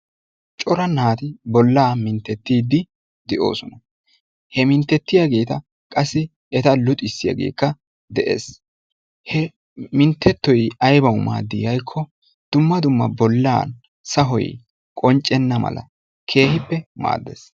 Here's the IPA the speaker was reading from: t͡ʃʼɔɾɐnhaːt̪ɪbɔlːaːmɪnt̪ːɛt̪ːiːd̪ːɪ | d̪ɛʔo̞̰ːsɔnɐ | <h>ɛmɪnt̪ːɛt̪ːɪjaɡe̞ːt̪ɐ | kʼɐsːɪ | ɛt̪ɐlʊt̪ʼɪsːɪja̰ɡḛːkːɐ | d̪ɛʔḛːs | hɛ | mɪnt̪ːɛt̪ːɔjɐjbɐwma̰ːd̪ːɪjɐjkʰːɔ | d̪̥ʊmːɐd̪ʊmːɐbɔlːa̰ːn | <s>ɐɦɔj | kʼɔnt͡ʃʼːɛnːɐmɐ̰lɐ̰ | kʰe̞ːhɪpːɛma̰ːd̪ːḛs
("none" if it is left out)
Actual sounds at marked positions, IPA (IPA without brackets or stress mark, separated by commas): h, s